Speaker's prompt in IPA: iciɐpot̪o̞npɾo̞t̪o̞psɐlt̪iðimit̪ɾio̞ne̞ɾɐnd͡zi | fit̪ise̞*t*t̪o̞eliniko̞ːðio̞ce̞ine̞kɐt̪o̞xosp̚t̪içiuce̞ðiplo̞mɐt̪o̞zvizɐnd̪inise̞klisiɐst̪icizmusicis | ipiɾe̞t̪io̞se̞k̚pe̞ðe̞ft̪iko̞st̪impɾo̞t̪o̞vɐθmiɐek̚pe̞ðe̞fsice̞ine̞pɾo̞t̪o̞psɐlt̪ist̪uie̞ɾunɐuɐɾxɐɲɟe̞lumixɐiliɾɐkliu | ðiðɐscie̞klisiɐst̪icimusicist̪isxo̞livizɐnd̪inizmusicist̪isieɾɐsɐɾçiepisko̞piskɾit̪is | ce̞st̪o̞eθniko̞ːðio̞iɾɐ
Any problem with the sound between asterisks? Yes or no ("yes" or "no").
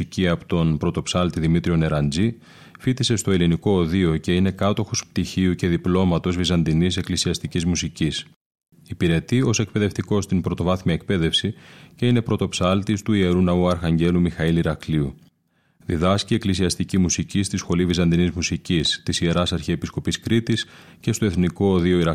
yes